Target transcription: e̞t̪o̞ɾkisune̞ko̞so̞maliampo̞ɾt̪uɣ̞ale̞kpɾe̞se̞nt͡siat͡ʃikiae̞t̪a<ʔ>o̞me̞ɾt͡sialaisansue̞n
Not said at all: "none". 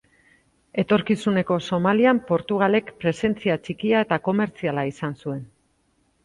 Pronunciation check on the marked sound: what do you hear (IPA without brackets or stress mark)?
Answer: k